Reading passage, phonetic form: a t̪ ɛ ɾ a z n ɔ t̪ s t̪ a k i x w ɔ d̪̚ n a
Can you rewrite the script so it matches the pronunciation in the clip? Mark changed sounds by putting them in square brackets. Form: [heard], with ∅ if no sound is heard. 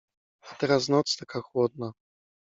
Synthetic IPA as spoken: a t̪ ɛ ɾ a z n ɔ t̪ s t̪ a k [a] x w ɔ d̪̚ n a